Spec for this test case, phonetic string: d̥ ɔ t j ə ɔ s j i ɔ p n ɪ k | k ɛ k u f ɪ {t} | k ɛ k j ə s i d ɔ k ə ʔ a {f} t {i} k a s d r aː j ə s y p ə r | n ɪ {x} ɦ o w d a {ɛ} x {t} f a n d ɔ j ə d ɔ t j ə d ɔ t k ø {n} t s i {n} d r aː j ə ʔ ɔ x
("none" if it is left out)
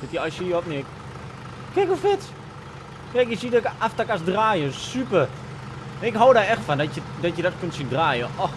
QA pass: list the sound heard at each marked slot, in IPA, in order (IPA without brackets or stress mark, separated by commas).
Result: t, f, a, k, ɛ, t, n, n